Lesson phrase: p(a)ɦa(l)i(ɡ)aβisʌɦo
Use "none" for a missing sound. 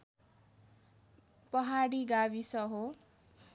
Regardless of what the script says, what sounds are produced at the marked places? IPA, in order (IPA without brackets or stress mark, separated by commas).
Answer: ʌ, ɽ, ɡ